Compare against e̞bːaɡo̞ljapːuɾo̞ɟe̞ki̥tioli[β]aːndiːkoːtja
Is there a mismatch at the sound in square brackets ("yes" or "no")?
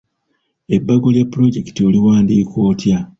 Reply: yes